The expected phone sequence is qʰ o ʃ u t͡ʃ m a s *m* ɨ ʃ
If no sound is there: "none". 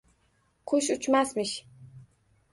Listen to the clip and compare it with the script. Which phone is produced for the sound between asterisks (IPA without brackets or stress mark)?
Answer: m